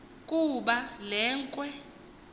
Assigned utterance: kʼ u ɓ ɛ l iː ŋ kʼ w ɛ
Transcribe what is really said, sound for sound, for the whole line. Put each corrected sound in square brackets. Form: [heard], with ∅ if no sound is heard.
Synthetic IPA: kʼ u ɓ [a] l [ɛː] ŋ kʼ w ɛ

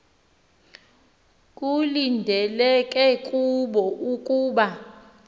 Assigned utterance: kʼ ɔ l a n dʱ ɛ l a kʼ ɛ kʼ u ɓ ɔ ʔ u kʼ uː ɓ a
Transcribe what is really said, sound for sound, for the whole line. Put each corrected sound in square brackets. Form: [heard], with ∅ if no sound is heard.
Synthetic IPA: kʼ [u] l [i] n dʱ ɛ l [ɛ] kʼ ɛ kʼ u ɓ ɔ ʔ u kʼ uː ɓ a

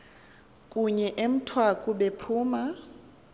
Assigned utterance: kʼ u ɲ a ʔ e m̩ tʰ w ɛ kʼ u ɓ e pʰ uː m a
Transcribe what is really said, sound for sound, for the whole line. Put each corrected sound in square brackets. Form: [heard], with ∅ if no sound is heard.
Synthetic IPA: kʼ u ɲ [ɛ] ʔ e m̩ tʰ w [a] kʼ u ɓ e pʰ uː m a

